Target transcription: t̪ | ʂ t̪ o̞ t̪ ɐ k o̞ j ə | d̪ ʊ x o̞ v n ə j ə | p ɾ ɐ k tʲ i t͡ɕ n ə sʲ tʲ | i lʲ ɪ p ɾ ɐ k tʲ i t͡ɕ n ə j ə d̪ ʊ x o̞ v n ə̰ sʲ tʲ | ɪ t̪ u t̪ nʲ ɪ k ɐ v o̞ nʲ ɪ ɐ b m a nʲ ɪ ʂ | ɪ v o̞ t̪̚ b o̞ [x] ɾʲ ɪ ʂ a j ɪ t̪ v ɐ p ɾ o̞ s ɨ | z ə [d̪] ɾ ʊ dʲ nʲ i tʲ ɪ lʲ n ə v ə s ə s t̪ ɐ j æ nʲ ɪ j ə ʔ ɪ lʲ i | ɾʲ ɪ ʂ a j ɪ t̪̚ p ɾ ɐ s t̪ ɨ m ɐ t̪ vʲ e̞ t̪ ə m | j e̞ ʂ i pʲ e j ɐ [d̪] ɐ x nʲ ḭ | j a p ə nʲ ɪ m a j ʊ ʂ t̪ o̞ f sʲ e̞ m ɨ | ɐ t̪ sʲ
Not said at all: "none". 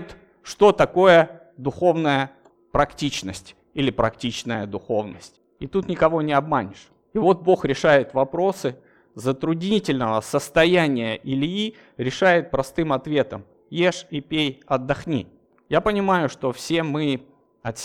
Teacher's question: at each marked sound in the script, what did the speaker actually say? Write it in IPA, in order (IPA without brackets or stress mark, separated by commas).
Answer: x, t̪, d̪ː